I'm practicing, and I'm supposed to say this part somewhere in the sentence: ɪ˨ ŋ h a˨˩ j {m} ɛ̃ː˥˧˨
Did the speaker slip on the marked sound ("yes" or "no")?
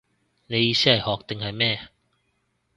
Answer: no